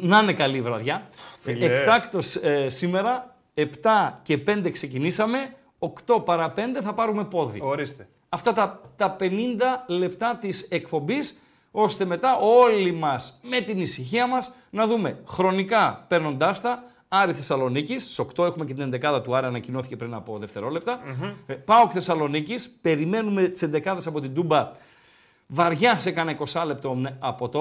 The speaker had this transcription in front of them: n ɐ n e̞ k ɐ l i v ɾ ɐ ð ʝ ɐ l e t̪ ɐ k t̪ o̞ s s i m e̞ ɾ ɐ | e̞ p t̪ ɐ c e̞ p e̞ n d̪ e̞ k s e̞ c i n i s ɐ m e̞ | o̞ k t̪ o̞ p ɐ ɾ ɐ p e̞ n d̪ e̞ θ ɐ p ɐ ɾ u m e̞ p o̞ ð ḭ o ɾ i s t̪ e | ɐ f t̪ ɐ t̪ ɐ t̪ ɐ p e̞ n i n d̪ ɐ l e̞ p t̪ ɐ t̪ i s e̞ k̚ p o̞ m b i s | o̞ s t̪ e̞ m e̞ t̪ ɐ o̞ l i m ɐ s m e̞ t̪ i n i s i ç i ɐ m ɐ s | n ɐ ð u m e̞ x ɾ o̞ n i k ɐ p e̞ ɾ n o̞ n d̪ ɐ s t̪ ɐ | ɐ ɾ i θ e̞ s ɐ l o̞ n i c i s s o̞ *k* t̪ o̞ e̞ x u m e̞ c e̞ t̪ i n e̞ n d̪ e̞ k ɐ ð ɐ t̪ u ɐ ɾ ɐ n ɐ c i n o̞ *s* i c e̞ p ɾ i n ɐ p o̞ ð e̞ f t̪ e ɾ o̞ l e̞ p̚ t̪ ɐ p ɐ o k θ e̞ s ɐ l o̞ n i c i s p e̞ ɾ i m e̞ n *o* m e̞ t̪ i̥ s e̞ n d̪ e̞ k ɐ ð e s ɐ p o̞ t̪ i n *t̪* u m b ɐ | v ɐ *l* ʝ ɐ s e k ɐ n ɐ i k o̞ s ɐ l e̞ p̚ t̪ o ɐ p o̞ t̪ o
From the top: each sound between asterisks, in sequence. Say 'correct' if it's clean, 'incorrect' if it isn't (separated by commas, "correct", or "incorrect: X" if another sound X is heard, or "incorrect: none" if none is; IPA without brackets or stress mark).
correct, incorrect: θ, incorrect: u, incorrect: d̪, incorrect: ɾ